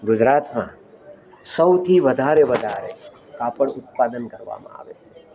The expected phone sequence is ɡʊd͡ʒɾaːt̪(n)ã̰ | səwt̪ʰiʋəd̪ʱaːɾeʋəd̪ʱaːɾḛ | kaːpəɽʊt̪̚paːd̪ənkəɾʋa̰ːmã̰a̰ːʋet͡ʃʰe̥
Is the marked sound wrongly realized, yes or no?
yes